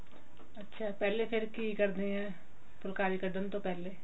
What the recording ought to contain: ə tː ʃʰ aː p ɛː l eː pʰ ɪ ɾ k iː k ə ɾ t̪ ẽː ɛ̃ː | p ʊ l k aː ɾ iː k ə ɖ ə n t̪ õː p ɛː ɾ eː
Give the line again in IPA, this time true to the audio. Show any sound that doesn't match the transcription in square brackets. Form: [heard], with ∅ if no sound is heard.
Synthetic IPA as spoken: ə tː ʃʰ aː p ɛː l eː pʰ ɪ ɾ k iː k ə ɾ [d̪] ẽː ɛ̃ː | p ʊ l k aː ɾ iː k ə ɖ ə n t̪ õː p ɛː [l] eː